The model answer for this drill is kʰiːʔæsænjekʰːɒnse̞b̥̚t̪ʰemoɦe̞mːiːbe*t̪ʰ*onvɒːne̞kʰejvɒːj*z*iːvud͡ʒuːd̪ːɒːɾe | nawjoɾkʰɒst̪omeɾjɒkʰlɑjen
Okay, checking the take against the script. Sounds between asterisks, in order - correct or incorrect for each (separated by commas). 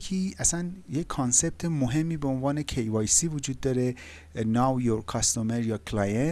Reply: incorrect, incorrect